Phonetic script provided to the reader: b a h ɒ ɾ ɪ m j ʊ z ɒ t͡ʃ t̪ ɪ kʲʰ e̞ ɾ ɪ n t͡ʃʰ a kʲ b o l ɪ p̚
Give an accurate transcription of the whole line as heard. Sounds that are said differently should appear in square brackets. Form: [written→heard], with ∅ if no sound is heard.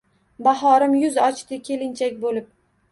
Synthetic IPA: b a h ɒ ɾ ɪ m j ʊ z ɒ t͡ʃ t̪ ɪ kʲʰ e̞ [ɾ→l] ɪ n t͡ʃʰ a kʲ b o l ɪ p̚